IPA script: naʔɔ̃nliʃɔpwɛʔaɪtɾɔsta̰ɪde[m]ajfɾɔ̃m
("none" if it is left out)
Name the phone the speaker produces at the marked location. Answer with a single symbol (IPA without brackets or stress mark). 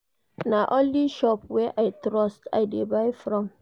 b